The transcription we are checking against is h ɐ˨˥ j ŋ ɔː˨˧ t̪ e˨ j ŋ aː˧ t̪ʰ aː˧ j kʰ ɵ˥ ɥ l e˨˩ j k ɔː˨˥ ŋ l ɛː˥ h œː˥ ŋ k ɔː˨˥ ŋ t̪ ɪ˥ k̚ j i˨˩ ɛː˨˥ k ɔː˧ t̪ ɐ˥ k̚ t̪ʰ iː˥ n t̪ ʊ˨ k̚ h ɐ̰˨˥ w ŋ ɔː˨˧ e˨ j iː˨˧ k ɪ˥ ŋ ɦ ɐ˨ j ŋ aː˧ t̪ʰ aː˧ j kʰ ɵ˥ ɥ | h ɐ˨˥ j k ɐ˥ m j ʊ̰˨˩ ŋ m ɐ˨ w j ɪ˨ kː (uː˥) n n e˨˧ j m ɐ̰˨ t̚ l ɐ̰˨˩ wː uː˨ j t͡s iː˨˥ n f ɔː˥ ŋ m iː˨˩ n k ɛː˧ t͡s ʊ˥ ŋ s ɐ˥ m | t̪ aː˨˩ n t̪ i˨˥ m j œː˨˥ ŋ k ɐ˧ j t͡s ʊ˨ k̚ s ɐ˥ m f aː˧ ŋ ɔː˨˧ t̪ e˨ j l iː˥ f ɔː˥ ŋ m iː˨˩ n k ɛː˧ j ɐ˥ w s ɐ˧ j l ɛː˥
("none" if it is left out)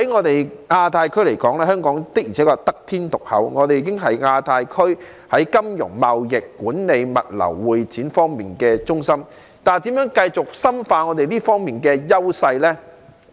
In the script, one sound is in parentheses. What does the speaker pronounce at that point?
uː˨˥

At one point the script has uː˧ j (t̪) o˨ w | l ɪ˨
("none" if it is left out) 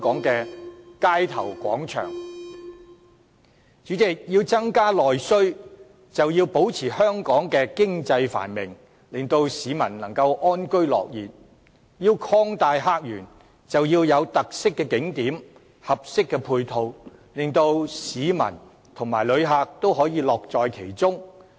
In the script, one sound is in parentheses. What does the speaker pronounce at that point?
t̪ʰ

